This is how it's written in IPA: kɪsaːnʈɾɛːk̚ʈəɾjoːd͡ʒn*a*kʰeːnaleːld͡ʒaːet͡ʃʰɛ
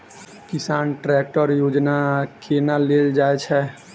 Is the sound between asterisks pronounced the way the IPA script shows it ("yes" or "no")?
yes